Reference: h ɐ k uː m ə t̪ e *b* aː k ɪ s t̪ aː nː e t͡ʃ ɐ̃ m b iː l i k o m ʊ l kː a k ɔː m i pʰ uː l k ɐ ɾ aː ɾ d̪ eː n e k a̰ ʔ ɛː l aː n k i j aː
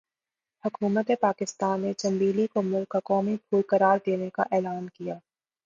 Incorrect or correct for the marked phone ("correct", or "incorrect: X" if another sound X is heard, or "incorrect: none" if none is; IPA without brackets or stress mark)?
incorrect: p